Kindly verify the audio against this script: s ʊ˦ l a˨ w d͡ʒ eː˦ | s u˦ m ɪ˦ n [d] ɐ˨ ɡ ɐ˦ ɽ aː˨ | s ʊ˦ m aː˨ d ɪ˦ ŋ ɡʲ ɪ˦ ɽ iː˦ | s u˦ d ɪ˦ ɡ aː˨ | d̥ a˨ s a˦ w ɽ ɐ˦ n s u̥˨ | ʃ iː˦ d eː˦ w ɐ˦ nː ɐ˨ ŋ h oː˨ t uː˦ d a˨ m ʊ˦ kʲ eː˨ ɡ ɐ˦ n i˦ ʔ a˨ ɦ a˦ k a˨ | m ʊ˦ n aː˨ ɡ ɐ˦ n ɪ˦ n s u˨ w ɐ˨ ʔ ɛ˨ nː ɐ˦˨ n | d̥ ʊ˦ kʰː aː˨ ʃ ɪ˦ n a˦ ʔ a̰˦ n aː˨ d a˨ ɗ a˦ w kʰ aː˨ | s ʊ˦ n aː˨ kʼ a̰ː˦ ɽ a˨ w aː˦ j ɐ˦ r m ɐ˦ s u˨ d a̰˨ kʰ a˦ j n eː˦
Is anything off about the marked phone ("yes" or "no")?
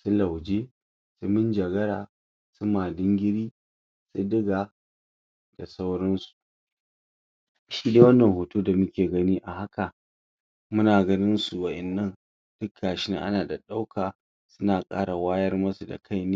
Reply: yes